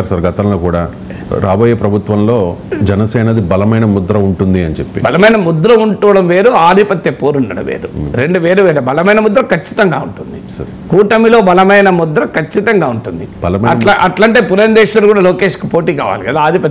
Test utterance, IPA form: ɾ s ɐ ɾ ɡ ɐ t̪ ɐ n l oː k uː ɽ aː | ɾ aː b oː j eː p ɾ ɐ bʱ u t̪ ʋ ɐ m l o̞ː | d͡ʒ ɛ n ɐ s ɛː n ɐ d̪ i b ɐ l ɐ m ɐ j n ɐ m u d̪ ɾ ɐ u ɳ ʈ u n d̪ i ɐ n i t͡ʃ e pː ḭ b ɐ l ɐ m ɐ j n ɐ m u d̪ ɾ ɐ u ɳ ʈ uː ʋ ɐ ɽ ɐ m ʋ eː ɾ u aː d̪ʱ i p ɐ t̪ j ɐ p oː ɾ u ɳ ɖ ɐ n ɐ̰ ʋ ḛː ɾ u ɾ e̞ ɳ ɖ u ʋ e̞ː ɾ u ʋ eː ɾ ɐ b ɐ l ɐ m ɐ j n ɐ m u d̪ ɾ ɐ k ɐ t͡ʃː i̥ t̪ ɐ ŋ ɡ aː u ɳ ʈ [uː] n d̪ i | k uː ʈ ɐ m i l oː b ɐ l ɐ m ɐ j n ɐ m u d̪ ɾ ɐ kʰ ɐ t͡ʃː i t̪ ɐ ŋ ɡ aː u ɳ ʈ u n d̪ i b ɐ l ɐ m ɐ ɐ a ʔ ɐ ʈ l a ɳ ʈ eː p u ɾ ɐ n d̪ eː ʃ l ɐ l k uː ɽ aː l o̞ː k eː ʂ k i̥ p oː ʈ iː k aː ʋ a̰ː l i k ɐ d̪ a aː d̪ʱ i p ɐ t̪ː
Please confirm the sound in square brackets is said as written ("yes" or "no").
no